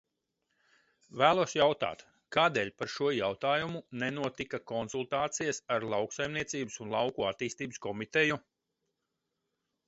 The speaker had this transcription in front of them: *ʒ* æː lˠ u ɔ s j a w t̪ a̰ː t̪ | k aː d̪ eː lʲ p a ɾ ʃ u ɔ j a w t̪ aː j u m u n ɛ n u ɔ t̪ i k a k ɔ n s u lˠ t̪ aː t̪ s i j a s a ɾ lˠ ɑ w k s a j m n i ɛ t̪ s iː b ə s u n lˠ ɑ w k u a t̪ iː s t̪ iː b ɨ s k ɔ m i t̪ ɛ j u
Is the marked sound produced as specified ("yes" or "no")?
no